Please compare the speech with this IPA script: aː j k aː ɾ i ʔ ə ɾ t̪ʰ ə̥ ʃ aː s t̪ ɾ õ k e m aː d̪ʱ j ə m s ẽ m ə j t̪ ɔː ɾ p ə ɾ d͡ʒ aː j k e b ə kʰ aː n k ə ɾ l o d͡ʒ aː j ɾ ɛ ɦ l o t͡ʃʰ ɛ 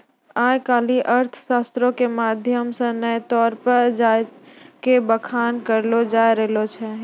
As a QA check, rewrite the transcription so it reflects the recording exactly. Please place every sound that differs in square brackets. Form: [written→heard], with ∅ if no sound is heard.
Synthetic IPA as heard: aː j k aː [ɾ→l] i ʔ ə ɾ t̪ʰ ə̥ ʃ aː s t̪ ɾ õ k e m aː d̪ʱ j ə m s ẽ [m→n] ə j t̪ ɔː ɾ p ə ɾ d͡ʒ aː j k e b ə kʰ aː n k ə ɾ l o d͡ʒ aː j ɾ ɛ ɦ l o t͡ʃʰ ɛ